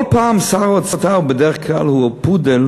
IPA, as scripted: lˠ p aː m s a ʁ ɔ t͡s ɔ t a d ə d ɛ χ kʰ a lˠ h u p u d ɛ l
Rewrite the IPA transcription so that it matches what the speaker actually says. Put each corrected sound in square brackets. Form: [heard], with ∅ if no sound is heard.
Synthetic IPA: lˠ p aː m s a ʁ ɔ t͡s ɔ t a [b] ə d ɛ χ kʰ a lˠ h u p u d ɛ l